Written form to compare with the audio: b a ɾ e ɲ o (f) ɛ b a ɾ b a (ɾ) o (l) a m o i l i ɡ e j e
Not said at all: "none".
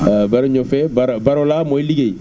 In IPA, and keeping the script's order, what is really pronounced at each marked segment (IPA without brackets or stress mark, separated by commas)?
f, ɾ, l